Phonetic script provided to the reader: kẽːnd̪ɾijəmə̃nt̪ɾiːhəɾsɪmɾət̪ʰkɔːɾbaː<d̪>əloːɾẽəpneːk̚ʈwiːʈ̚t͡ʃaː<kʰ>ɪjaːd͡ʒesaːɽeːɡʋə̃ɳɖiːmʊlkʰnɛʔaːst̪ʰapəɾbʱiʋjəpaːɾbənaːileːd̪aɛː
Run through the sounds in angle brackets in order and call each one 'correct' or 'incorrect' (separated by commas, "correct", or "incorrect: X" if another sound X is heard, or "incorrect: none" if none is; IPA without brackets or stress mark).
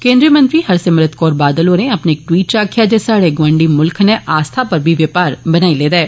correct, correct